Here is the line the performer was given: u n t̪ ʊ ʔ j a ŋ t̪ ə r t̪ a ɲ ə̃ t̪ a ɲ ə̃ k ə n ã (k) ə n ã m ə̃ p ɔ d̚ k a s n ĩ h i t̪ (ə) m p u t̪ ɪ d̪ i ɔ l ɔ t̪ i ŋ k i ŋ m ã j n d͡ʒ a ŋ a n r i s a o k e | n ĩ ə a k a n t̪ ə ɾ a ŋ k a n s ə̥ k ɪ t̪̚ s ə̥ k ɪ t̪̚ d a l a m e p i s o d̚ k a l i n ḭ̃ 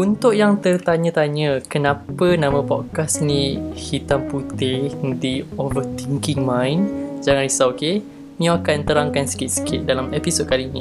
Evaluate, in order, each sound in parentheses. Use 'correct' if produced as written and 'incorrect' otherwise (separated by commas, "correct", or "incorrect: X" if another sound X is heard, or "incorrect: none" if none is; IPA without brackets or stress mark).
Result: incorrect: p, incorrect: a